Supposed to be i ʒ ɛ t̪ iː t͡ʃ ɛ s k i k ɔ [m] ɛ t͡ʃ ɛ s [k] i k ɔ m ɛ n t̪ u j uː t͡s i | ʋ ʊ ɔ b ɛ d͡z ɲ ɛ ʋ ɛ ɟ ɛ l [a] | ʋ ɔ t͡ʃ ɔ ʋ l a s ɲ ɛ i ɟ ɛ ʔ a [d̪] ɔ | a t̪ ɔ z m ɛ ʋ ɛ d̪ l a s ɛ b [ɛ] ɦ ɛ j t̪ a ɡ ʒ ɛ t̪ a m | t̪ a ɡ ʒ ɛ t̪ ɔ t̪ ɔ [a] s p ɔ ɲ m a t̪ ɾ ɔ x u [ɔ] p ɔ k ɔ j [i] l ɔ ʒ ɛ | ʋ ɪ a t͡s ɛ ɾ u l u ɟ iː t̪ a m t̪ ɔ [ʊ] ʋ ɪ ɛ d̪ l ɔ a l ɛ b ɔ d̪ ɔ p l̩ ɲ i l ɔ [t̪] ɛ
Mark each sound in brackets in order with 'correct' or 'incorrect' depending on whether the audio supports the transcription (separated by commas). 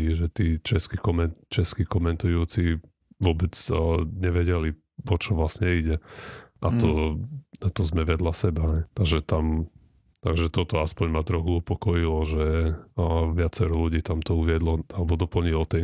correct, correct, incorrect, incorrect, incorrect, correct, incorrect, correct, incorrect, correct